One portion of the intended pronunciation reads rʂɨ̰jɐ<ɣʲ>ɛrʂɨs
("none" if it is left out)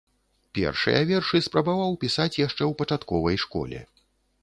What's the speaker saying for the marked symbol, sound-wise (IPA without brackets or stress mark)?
vʲ